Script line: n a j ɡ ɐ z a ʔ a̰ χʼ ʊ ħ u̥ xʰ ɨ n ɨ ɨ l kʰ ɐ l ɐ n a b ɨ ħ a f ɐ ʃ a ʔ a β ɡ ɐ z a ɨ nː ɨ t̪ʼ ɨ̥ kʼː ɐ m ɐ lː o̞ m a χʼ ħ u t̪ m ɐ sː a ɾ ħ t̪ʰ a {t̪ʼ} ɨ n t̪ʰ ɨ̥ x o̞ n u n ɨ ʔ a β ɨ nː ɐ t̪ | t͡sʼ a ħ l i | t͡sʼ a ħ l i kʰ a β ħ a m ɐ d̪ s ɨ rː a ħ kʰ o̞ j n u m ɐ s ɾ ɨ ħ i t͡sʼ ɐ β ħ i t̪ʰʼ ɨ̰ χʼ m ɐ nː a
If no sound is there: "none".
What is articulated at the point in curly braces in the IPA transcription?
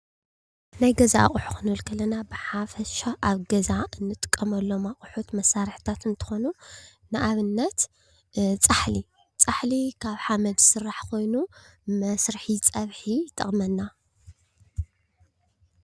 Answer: t̪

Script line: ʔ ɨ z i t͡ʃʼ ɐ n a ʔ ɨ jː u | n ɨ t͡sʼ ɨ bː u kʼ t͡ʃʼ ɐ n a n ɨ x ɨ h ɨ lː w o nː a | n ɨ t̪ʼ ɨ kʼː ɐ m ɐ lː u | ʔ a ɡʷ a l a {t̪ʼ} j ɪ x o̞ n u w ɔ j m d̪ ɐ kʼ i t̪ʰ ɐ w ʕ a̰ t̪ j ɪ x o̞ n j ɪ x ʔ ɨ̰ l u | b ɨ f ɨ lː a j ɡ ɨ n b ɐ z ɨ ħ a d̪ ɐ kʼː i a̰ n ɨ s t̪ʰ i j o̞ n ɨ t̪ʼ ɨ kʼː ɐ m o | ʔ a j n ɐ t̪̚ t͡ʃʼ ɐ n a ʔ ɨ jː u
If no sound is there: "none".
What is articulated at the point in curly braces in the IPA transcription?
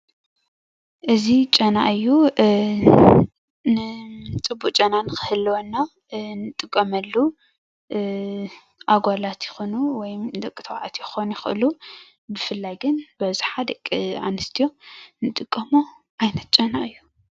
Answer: t̪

